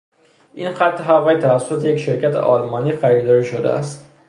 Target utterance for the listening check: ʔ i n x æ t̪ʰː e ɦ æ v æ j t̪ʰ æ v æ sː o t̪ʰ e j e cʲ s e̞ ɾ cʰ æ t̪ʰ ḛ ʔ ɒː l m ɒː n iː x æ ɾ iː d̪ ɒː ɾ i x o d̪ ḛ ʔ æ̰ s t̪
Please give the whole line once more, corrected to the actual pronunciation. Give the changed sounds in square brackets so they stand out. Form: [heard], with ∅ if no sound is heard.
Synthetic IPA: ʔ i n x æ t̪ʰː e ɦ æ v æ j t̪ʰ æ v æ sː o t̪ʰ e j e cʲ [ʃ] e̞ ɾ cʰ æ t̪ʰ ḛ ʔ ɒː l m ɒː n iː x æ ɾ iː d̪ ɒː ɾ i [ʃ] o d̪ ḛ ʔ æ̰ s t̪